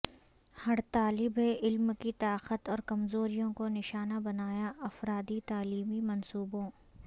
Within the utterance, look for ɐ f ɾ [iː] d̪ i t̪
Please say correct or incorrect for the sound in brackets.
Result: incorrect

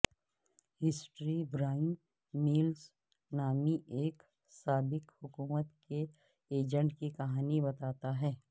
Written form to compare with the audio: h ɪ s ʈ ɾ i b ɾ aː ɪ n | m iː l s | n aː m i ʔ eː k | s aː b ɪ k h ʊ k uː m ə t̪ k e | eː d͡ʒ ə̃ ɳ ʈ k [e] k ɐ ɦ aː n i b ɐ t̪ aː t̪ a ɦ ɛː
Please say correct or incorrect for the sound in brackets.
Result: incorrect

